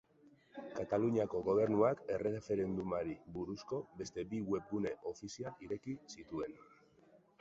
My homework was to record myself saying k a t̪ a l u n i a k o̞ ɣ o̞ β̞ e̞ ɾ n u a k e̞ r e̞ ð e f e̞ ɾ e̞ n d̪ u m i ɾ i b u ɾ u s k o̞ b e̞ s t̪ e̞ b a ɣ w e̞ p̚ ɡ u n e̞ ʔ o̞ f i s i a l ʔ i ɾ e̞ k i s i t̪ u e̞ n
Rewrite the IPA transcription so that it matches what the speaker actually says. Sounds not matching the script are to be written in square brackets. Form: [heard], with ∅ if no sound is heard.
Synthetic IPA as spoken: k a t̪ a l u [ɲ] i a k o̞ ɣ o̞ β̞ e̞ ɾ n u a k e̞ r e̞ [ɣ] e f e̞ ɾ e̞ n d̪ u m [a] ɾ i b u ɾ u s k o̞ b e̞ s t̪ e̞ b [i] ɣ w e̞ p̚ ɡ u n e̞ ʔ o̞ f i s i a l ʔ i ɾ e̞ k i s i t̪ u e̞ n